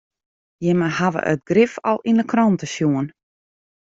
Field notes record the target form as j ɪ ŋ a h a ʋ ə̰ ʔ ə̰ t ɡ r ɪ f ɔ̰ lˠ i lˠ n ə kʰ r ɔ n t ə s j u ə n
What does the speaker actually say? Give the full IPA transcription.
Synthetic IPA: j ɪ m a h a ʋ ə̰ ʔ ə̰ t ɡ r ɪ f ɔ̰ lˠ i n ə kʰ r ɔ n t ə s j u ə n